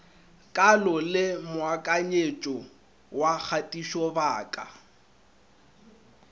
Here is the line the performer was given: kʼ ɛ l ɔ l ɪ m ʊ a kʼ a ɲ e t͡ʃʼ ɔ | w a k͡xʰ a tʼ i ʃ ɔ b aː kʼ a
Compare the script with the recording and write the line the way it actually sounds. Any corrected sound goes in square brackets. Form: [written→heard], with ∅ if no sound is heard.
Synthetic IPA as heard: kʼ [ɛ→a] l ɔ l ɪ m ʊ a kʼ a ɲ e t͡ʃʼ ɔ | w a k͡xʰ a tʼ i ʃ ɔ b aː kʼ a